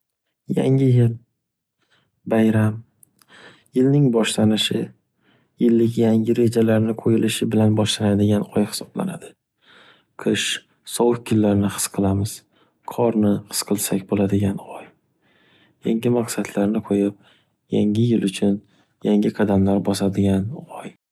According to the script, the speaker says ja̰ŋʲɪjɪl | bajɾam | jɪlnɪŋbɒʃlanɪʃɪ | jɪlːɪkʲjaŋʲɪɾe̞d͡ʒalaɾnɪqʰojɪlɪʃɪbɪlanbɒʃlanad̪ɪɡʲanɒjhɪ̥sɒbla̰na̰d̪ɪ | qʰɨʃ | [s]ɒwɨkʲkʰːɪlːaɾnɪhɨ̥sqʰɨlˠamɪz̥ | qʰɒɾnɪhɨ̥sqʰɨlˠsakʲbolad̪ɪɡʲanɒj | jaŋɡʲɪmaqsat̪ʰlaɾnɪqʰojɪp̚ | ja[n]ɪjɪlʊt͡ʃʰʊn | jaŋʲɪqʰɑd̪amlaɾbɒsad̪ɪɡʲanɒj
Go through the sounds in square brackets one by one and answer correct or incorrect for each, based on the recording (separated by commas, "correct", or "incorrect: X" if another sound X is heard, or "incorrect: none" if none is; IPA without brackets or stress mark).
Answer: correct, incorrect: ŋ